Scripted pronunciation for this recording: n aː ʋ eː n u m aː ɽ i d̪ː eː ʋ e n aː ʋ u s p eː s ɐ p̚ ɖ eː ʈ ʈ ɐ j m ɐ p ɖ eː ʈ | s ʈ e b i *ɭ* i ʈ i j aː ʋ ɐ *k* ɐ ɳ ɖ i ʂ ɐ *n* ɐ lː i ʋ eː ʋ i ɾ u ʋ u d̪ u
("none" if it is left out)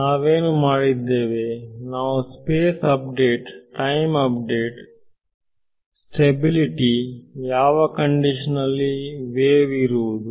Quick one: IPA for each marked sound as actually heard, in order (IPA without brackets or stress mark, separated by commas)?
l, k, n